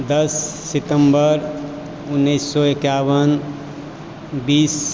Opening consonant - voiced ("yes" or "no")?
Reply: yes